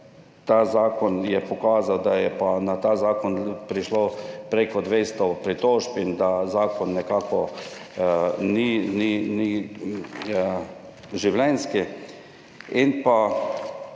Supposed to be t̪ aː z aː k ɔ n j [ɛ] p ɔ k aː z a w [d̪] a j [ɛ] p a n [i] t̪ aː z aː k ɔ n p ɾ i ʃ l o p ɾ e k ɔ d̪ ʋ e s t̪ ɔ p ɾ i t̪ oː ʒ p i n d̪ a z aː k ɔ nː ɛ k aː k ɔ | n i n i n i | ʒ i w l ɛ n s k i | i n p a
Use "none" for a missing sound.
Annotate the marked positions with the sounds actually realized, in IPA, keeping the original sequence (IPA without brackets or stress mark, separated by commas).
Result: ɛ, d̪, ɛ, a